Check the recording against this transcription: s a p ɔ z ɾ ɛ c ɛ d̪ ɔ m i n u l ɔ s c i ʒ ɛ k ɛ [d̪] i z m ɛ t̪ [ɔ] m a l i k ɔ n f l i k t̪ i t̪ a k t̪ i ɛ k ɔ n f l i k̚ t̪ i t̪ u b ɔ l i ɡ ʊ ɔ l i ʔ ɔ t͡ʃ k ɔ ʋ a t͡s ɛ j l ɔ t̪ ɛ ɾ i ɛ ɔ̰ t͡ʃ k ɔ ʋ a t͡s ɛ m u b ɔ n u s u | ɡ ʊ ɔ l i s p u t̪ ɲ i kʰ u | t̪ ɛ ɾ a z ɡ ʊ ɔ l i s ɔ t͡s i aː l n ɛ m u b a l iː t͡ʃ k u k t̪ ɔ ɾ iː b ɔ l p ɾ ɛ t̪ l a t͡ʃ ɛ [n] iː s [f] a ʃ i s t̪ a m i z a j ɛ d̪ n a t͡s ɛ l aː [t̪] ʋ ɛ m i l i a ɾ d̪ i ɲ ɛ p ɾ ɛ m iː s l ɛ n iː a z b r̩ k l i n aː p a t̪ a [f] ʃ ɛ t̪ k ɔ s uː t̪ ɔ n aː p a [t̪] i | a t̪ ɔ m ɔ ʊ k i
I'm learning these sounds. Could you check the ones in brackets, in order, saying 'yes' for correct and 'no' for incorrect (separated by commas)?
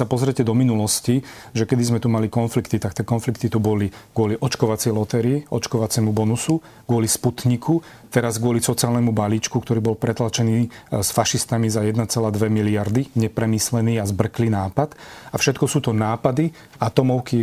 yes, no, yes, yes, no, yes, no